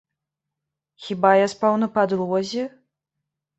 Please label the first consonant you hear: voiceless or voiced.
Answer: voiceless